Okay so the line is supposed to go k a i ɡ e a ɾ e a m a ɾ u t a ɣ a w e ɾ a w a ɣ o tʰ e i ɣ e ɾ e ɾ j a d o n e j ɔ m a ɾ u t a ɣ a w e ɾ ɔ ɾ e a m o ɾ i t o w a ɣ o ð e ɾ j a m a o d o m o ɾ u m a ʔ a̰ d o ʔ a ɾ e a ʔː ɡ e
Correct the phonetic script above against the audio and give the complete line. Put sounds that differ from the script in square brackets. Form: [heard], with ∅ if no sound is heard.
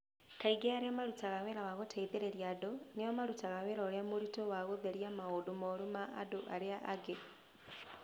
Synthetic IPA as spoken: k a i ɡ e a ɾ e a m a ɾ u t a ɣ a w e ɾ a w a ɣ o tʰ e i [ð] e ɾ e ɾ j a d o n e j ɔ m a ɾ u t a ɣ a w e ɾ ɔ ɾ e a m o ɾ i t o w a ɣ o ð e ɾ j a m a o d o m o ɾ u m a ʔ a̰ d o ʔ a ɾ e a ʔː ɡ e